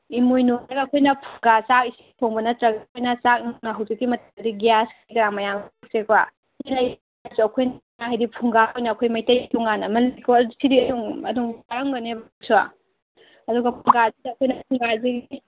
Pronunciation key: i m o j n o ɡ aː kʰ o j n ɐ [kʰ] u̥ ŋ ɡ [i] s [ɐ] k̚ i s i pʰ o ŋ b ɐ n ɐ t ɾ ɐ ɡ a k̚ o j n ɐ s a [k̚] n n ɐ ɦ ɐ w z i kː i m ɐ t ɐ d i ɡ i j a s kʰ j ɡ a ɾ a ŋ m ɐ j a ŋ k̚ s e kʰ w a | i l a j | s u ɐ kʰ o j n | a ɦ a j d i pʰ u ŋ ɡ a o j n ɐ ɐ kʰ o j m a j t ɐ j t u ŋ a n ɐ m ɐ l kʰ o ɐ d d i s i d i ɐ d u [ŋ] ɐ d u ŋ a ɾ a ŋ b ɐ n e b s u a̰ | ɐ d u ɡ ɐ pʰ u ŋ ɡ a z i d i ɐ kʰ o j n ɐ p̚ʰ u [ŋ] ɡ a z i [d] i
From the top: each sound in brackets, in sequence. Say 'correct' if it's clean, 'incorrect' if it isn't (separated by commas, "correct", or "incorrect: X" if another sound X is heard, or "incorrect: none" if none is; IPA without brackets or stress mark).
incorrect: pʰ, incorrect: a, incorrect: a, correct, correct, correct, incorrect: ɡ